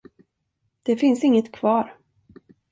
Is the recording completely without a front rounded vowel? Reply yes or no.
yes